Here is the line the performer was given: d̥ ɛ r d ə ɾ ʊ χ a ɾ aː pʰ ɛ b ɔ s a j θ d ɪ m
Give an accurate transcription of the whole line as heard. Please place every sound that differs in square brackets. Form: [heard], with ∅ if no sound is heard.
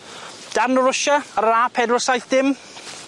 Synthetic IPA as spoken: d̥ [a] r [n] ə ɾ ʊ [ʃ] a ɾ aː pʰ ɛ [d] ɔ s a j θ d ɪ m